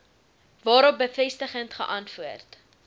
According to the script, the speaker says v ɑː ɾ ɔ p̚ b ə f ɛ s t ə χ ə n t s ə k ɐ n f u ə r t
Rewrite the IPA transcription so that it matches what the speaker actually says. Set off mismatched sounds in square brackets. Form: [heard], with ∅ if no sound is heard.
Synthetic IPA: v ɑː ɾ ɔ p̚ b ə f ɛ s t ə χ ə n t [χ] ə [ʔ] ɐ n f u ə r t